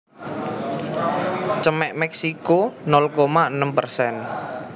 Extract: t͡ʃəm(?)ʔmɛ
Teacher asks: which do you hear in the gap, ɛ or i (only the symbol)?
ɛ